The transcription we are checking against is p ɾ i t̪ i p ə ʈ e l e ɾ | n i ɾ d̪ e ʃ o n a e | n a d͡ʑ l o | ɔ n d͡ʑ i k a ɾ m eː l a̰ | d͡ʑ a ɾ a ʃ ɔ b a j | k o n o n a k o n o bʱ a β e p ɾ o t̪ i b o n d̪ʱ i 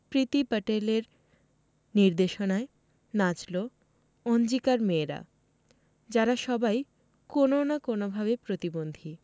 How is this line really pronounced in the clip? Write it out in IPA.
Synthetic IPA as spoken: p ɾ i t̪ i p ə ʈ e l e ɾ | n i ɾ d̪ e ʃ o n a e | n a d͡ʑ l o | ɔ n d͡ʑ i k a ɾ m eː ɾ a̰ | d͡ʑ a ɾ a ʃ ɔ b a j | k o n o n a k o n o bʱ a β e p ɾ o t̪ i b o n d̪ʱ i